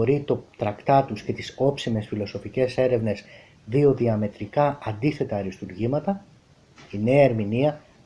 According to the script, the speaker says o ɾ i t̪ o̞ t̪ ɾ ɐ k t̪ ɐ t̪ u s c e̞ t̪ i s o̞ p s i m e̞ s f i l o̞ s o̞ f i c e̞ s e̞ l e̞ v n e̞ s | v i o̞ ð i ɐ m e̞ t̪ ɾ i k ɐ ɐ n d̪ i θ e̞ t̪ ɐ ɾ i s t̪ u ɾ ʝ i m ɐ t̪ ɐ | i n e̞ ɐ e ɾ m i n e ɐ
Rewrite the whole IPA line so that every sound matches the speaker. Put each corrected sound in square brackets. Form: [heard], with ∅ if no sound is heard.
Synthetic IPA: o ɾ i t̪ o̞ t̪ ɾ ɐ k t̪ ɐ t̪ u s c e̞ t̪ i s o̞ p s i m e̞ s f i l o̞ s o̞ f i c e̞ s e̞ [ɾ] e̞ v n e̞ s | [ð] i o̞ ð i ɐ m e̞ t̪ ɾ i k ɐ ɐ n d̪ i θ e̞ t̪ ɐ ɾ i s t̪ u ɾ ʝ i m ɐ t̪ ɐ | i n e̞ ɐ e ɾ m i n [i] ɐ